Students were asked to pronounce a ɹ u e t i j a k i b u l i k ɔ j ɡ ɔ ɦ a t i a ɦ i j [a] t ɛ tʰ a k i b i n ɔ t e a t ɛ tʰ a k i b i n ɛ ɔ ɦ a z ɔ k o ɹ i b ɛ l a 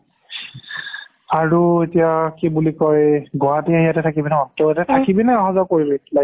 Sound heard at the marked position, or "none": a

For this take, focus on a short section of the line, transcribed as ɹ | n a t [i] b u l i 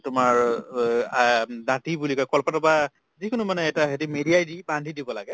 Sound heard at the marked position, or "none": i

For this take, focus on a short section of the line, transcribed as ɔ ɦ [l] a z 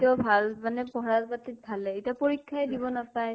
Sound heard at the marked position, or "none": ɹ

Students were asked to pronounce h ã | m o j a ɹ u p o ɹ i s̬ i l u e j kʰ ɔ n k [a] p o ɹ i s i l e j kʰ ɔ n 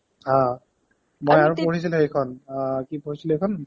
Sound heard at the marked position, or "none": i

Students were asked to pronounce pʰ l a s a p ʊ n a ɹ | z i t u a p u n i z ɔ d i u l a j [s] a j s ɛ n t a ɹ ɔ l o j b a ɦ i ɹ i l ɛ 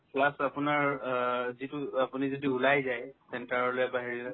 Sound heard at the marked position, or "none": z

